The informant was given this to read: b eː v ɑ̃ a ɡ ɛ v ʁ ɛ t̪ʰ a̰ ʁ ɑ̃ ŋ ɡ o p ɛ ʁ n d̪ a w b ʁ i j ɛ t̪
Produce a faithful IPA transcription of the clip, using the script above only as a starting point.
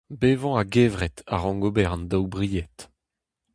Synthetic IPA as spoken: b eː v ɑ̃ a ɡ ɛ v ʁ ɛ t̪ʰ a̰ ʁ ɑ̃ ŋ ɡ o b ɛ ʁ n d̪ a w b ʁ i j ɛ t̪